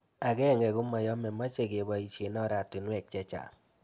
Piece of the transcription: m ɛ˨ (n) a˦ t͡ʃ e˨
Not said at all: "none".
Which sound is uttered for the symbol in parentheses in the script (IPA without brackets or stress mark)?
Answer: m